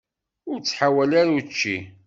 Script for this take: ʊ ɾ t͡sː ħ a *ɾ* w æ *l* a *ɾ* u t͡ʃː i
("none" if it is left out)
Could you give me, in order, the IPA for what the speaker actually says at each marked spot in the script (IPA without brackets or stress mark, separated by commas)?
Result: none, l, ɾ